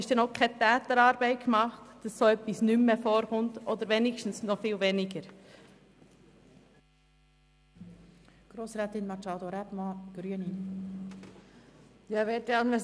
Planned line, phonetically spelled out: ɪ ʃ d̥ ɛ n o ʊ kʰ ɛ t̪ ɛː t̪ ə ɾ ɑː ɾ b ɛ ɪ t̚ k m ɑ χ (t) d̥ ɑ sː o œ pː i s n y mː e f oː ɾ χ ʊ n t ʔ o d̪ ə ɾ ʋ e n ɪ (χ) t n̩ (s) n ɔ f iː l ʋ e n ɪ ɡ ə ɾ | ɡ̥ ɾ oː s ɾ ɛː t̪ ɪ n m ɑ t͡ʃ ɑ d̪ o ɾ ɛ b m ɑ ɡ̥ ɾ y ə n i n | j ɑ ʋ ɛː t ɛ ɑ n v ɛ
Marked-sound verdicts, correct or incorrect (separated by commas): correct, incorrect, correct